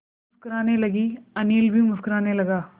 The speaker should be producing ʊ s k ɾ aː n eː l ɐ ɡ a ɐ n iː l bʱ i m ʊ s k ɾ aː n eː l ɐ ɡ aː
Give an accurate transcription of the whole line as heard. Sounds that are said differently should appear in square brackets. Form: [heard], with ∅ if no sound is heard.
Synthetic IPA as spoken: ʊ s k ɾ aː n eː l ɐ ɡ [i] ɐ n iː l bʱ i m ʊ s k ɾ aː n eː l ɐ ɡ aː